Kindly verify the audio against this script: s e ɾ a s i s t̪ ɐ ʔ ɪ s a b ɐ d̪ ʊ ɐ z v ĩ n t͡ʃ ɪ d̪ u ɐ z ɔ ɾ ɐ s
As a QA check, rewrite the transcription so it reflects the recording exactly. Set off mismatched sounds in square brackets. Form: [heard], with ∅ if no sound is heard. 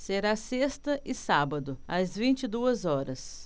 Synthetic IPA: s e ɾ a s [e] s t̪ ɐ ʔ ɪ s a b ɐ d̪ ʊ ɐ z v ĩ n t͡ʃ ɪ d̪ u ɐ z ɔ ɾ ɐ s